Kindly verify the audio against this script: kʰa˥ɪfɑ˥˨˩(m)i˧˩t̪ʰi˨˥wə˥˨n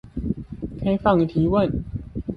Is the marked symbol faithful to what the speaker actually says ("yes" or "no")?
no